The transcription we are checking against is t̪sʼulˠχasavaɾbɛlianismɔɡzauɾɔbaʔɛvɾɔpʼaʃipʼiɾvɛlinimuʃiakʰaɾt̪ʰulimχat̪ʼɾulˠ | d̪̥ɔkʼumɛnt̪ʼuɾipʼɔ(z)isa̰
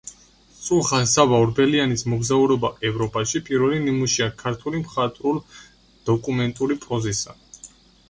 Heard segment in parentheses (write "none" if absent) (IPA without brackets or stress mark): z